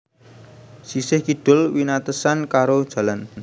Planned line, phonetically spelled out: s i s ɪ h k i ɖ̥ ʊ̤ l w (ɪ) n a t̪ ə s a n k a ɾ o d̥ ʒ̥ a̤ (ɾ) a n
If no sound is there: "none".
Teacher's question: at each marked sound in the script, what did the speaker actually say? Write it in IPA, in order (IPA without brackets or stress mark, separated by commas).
i, l